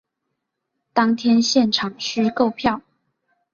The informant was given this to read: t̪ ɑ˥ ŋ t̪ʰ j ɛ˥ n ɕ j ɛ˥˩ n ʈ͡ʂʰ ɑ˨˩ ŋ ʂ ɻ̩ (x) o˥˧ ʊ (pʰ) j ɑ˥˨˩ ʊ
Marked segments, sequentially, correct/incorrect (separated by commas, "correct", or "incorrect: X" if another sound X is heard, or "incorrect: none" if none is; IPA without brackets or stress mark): incorrect: k, correct